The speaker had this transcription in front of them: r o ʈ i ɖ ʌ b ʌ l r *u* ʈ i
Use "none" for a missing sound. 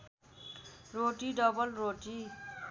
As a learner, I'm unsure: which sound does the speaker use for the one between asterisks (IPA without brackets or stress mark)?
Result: o